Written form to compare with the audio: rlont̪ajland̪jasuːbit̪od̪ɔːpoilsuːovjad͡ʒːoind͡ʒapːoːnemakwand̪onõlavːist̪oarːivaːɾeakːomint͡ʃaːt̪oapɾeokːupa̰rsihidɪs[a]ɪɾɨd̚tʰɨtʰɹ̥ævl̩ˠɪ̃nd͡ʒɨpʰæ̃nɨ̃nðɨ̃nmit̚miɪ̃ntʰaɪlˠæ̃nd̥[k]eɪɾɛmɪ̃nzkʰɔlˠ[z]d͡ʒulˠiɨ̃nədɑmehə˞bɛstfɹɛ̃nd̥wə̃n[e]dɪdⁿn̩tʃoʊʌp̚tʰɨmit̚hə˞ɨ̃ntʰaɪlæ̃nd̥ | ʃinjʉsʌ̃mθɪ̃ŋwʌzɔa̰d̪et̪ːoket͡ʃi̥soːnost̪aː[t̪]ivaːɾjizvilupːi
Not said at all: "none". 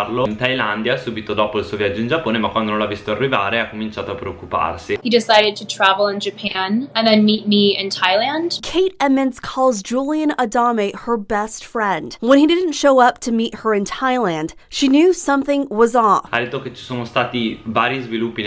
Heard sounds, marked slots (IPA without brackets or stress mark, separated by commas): a, kʰ, z, i, t̪